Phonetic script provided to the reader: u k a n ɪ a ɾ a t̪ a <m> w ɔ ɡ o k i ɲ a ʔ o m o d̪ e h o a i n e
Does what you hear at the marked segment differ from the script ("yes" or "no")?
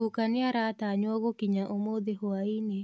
yes